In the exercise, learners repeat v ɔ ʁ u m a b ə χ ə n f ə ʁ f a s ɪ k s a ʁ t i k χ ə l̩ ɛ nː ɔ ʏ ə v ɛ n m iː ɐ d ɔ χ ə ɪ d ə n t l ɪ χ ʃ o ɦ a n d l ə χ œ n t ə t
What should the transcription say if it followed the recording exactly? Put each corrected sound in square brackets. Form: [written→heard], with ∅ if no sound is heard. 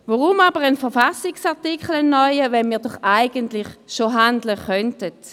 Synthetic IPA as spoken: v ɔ ʁ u m a b ə [χ→ʁ] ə n f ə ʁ f a s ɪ k s a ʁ t i k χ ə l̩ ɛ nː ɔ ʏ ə v ɛ n m iː ɐ d ɔ χ [ə→a] ɪ [d→ɡ] ə n t l ɪ χ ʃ o ɦ a n d l ə χ œ n t ə t